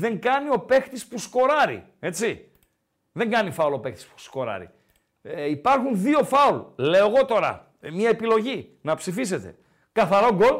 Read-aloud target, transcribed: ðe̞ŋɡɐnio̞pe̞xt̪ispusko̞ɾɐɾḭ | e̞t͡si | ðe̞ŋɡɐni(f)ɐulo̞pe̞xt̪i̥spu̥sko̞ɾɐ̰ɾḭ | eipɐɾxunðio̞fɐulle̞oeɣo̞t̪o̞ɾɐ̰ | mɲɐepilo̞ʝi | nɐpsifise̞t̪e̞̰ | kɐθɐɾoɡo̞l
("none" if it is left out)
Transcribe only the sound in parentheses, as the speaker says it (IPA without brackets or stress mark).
f